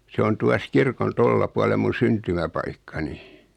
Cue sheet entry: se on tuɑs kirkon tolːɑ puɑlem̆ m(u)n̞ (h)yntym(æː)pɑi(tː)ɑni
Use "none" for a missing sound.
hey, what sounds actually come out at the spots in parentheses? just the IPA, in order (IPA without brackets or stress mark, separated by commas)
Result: u, s, æ, kː